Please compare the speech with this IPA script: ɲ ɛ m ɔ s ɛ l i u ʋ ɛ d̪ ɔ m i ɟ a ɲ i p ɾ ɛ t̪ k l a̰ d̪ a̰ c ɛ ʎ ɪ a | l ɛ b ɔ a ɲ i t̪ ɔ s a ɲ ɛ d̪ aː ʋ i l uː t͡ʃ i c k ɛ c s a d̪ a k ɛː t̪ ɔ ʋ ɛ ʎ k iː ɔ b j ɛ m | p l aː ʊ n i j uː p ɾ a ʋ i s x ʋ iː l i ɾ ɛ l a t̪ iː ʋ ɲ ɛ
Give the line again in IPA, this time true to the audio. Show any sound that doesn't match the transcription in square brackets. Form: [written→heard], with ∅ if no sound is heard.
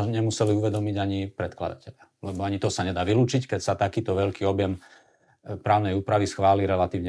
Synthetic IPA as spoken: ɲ ɛ m [ɔ→u] s ɛ l i u ʋ ɛ d̪ ɔ m i ɟ a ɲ i p ɾ ɛ t̪ k l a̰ d̪ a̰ c ɛ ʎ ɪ a | l ɛ b ɔ a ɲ i t̪ ɔ s a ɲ ɛ d̪ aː ʋ i l uː t͡ʃ i c k ɛ c s a [d̪→t̪] a k [ɛː→iː] t̪ ɔ ʋ ɛ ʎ k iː ɔ b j ɛ m | p [l→ɾ] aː ʊ n [i→ɛ] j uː p ɾ a ʋ i s x ʋ [iː→aː] l i ɾ ɛ l a t̪ iː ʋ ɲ ɛ